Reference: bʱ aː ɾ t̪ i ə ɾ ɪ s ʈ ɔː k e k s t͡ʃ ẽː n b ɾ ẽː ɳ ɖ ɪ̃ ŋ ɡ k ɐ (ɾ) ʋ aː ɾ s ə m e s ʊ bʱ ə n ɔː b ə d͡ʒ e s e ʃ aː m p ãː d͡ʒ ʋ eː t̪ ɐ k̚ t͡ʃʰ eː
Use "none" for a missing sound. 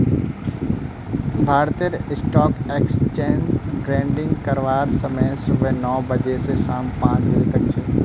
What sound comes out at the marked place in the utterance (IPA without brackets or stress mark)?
ɾ